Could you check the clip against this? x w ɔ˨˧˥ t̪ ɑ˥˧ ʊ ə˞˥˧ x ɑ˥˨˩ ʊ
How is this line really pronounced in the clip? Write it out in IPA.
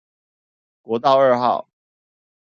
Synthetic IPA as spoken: k w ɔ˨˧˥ t̪ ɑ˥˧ ʊ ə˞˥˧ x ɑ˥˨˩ ʊ